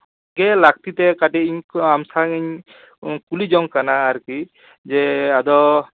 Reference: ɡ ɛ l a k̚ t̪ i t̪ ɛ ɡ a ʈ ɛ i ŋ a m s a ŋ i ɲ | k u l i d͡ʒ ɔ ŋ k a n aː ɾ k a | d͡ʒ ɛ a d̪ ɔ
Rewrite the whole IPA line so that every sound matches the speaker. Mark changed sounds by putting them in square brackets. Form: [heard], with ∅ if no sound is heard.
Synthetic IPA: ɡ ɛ l a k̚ t̪ i t̪ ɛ [k] a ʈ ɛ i [ɲ] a m s a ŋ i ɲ | k u l i d͡ʒ ɔ ŋ k a n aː ɾ k [i] | d͡ʒ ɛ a d̪ ɔ